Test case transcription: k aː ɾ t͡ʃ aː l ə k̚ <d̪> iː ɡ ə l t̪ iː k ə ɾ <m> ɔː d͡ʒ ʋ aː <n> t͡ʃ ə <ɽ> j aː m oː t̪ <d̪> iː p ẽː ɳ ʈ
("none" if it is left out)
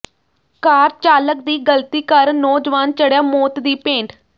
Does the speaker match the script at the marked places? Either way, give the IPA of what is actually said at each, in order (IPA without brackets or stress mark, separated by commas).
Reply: d̪, n, n, ɽ, d̪